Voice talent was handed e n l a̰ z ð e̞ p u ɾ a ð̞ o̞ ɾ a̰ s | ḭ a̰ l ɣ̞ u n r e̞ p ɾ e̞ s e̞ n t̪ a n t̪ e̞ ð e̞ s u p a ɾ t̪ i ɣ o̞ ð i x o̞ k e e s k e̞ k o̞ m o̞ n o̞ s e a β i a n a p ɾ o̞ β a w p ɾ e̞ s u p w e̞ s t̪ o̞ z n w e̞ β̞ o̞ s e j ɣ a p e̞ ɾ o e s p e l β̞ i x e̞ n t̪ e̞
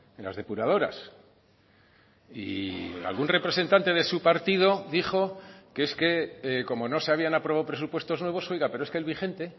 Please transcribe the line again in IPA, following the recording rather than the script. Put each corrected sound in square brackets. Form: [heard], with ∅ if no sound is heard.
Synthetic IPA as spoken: e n l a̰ z ð e̞ p u ɾ a ð̞ o̞ ɾ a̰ s | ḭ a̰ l ɣ̞ u n r e̞ p ɾ e̞ s e̞ n t̪ a n t̪ e̞ ð e̞ s u p a ɾ t̪ i [ð] o̞ ð i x o̞ k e e s k e̞ k o̞ m o̞ n o̞ s e a β i a n a p ɾ o̞ β a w p ɾ e̞ s u p w e̞ s t̪ o̞ z n w e̞ β̞ o̞ s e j ɣ a p e̞ ɾ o e s [k] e l β̞ i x e̞ n t̪ e̞

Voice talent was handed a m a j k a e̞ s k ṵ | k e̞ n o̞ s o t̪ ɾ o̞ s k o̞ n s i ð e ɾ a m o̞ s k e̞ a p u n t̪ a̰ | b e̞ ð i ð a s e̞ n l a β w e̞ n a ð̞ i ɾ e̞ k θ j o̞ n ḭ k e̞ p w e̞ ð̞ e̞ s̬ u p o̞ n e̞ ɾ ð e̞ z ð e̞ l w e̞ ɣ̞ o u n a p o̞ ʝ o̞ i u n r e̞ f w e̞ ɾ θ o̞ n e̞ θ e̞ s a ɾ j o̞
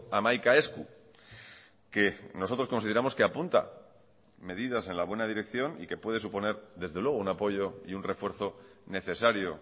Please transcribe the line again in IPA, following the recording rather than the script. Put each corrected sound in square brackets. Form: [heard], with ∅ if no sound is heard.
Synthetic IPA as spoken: a m a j k a e̞ s k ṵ | k e̞ n o̞ s o t̪ ɾ o̞ s k o̞ n s i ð e ɾ a m o̞ s k e̞ a p u n t̪ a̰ | [m] e̞ ð i ð a s e̞ n l a β w e̞ n a ð̞ i ɾ e̞ k θ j o̞ n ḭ k e̞ p w e̞ ð̞ e̞ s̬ u p o̞ n e̞ ɾ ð e̞ z ð e̞ l w e̞ ɣ̞ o u n a p o̞ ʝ o̞ i u n r e̞ f w e̞ ɾ θ o̞ n e̞ θ e̞ s a ɾ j o̞

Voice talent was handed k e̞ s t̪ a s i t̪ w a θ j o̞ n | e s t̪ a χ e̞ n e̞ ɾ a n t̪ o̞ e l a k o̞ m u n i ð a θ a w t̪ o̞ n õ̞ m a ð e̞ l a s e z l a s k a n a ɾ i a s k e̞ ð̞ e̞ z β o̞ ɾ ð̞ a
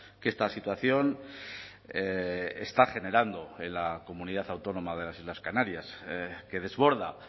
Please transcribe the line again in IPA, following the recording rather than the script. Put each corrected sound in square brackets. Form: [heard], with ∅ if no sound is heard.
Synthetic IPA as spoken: k e̞ s t̪ a s i t̪ w a θ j o̞ n | e s t̪ a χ e̞ n e̞ ɾ a n [d̪] o̞ e l a k o̞ m u n i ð a θ a w t̪ o̞ n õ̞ m a ð e̞ l a s [i] z l a s k a n a ɾ [j] a s k e̞ ð̞ e̞ z β o̞ ɾ ð̞ a

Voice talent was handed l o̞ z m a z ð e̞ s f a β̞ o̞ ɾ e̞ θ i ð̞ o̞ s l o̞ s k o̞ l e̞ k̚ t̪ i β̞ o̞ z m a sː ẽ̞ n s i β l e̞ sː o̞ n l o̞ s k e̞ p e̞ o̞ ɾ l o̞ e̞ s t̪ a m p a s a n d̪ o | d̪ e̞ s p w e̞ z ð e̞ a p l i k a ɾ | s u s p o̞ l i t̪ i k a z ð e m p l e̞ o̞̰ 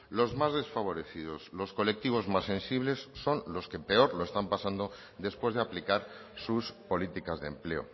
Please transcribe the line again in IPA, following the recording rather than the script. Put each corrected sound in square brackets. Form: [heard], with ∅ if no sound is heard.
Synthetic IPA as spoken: l o̞ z m a z ð e̞ s f a β̞ o̞ ɾ e̞ θ i ð̞ o̞ s l o̞ s k o̞ l e̞ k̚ t̪ i β̞ o̞ z m a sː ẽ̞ n s i β l e̞ sː o̞ n l o̞ s k e̞ p e̞ o̞ ɾ l o̞ e̞ s t̪ a m p a s a n d̪ o | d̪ e̞ s p w e̞ z ð e̞ a p l i k a ɾ | s u s p o̞ l i t̪ i k a z ð e m p l e̞ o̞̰

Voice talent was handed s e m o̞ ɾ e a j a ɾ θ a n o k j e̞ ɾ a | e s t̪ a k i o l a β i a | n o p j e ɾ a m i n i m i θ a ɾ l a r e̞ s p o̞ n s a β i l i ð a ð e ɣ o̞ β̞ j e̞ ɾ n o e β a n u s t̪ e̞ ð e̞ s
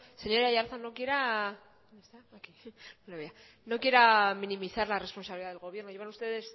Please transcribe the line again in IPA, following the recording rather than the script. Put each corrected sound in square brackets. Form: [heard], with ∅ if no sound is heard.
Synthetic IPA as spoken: s e [ɲ] o̞ ɾ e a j a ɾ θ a n o k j e̞ ɾ a | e s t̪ a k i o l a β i a | n o [k] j e ɾ a m i n i m i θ a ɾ l a r e̞ s p o̞ n s a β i l i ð a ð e ɣ o̞ β̞ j e̞ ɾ n o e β a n u s t̪ e̞ ð e̞ s

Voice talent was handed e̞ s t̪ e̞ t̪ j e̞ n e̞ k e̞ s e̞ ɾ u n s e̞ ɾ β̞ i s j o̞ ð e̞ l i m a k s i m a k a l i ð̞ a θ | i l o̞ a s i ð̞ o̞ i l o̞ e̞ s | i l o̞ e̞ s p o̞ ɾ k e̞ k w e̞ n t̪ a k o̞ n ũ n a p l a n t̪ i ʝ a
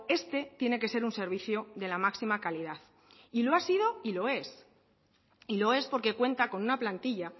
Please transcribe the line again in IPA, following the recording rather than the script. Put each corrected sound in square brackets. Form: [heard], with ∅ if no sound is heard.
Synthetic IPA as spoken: e̞ s t̪ e̞ t̪ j e̞ n e̞ k e̞ s e̞ ɾ u n s e̞ ɾ β̞ i [θ] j o̞ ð e̞ l [a] m a k s i m a k a l i ð̞ a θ | i l o̞ a s i ð̞ o̞ i l o̞ e̞ s | i l o̞ e̞ s p o̞ ɾ k e̞ k w e̞ n t̪ a k o̞ n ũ n a p l a n t̪ i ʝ a

